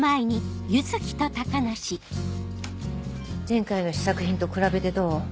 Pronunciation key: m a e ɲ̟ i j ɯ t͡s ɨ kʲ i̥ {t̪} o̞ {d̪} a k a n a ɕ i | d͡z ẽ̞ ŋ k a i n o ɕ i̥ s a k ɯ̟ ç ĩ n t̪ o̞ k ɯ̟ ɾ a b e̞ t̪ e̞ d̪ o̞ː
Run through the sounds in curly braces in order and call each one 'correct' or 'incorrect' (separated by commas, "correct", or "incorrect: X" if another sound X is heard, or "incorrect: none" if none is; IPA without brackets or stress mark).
correct, incorrect: t̪